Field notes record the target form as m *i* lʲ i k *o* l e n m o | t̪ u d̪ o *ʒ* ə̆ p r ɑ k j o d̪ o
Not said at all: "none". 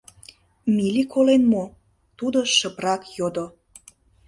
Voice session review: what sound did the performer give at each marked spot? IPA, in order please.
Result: i, o, ʃ

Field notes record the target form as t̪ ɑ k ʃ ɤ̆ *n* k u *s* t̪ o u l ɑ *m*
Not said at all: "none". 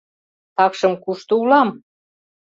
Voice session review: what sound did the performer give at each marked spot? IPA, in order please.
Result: m, ʃ, m

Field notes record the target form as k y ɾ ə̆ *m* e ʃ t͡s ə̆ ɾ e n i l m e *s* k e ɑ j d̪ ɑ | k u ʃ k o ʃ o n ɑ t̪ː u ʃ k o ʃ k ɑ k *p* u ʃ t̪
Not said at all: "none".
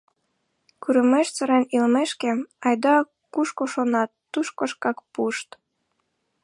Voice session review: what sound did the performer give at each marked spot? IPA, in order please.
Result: m, ʃ, p

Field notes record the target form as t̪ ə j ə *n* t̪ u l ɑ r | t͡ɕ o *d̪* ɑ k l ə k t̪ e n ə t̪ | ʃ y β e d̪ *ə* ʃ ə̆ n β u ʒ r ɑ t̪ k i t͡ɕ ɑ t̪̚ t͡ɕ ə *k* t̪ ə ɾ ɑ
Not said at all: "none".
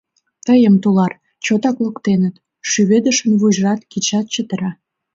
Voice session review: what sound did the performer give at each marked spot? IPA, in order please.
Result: m, t̪, ə, none

